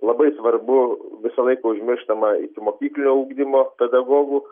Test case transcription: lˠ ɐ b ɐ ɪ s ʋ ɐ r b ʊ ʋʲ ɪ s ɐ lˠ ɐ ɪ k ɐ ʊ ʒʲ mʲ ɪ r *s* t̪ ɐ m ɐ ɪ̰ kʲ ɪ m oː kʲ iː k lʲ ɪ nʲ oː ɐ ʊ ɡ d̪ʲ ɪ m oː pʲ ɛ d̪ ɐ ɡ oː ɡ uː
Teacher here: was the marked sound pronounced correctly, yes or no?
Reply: no